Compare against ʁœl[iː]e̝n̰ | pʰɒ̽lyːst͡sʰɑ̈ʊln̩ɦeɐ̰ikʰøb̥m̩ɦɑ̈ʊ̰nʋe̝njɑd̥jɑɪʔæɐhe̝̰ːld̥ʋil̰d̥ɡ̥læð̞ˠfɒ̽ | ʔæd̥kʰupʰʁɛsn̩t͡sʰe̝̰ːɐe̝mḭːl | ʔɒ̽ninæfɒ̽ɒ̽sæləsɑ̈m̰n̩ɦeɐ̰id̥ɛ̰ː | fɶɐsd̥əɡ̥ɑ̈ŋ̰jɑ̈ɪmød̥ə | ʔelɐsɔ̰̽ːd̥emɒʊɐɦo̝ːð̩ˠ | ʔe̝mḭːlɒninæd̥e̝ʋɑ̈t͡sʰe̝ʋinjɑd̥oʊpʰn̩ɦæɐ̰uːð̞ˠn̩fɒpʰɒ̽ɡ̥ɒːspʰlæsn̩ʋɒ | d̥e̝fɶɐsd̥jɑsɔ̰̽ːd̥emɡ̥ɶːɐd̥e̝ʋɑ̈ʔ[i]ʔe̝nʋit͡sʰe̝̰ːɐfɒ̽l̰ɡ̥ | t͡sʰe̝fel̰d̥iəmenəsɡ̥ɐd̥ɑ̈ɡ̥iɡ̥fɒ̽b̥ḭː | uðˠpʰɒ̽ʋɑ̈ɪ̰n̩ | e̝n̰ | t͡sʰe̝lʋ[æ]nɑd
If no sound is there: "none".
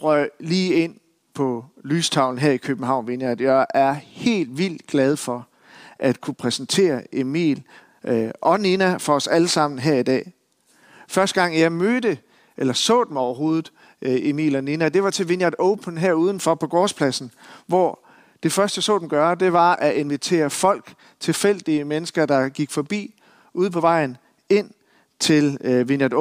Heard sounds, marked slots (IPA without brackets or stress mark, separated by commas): iː, æ, i